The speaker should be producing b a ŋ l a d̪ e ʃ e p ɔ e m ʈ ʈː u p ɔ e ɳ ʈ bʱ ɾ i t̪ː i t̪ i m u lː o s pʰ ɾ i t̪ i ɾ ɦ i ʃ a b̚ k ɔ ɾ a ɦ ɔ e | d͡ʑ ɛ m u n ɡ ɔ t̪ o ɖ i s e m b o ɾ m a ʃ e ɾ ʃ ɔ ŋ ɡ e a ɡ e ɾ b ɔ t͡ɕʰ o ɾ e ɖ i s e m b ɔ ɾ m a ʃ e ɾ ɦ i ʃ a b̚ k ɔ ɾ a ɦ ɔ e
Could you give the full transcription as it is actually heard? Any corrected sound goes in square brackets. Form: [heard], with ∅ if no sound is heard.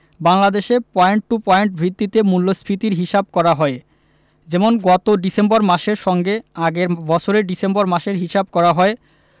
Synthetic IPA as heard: b a ŋ l a d̪ e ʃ e p ɔ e [ɳ] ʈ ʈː u p ɔ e ɳ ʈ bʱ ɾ i t̪ː i t̪ [e] m u lː o s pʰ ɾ i t̪ i ɾ ɦ i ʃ a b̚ k ɔ ɾ a ɦ ɔ e | d͡ʑ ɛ m [o] n ɡ ɔ t̪ o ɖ i s e m b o ɾ m a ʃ e ɾ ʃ ɔ ŋ ɡ e a ɡ e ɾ b ɔ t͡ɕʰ o ɾ e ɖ i s e m b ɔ ɾ m a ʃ e ɾ ɦ i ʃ a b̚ k ɔ ɾ a ɦ ɔ e